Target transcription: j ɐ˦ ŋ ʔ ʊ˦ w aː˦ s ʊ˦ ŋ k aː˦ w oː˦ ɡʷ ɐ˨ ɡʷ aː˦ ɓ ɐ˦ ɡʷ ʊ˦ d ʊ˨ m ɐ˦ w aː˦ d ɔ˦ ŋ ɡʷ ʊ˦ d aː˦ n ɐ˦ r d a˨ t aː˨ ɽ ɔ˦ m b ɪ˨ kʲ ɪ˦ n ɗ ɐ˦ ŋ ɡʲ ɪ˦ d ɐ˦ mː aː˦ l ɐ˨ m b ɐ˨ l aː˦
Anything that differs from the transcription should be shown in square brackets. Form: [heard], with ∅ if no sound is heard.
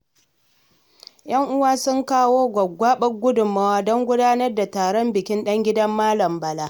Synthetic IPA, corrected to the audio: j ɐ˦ ŋ ʔ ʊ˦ w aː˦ s ʊ˦ ŋ k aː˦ w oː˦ ɡʷ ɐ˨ ɡʷ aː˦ ɓ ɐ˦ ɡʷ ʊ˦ d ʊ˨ m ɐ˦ w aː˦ d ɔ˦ ŋ ɡʷ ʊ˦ d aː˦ n ɐ˦ r d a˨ t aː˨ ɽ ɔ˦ m b ɪ˨ kʲ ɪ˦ n ɗ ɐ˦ ŋ ɡʲ ɪ˦ d ɐ˦ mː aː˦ l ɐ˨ m b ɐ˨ l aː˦

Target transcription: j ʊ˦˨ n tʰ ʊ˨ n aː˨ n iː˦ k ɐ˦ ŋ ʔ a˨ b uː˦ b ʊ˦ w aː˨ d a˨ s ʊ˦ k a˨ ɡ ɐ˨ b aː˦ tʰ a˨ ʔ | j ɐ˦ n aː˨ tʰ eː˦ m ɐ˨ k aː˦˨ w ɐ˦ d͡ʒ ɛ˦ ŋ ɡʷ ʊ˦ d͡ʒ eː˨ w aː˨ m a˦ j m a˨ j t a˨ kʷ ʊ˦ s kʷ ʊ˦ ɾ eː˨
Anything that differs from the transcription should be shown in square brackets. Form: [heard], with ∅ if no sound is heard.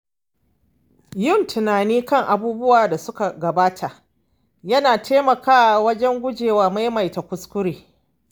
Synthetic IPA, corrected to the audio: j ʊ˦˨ n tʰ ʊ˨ n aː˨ n iː˦ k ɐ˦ ŋ ʔ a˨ b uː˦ b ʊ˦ w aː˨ d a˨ s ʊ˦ k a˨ ɡ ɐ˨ b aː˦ tʰ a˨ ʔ | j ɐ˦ n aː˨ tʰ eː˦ m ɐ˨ k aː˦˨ w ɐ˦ d͡ʒ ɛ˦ ŋ ɡʷ ʊ˦ d͡ʒ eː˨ w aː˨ m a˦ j m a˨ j t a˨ kʷ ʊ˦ s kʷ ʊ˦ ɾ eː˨

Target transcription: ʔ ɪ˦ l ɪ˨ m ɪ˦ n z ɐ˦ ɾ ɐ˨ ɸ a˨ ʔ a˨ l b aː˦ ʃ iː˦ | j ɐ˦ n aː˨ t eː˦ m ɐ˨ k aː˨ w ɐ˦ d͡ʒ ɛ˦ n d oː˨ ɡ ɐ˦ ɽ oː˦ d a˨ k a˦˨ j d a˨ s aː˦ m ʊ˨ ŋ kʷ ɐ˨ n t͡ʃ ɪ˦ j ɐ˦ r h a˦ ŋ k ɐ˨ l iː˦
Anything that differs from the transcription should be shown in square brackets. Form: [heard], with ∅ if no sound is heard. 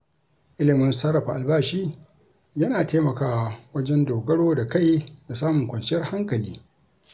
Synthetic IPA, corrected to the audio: ʔ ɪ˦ l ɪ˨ m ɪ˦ n [s] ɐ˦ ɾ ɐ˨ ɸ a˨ ʔ a˨ l b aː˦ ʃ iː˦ | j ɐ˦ n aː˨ t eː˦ m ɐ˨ k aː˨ w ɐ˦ d͡ʒ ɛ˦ n d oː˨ ɡ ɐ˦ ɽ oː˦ d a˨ k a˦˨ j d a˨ s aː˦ m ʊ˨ ŋ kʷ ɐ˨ n t͡ʃ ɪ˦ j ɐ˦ r h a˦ ŋ k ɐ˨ l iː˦

